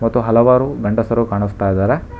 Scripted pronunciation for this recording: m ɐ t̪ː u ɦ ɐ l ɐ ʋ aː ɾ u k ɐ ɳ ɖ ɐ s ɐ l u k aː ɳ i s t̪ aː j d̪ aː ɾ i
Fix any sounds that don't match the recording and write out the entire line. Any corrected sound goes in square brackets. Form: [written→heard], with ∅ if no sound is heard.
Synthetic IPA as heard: m ɐ t̪ː u ɦ ɐ l ɐ ʋ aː ɾ u [k→ɡ] ɐ ɳ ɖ ɐ s ɐ [l→ɾ] u k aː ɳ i s t̪ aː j d̪ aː ɾ [i→e]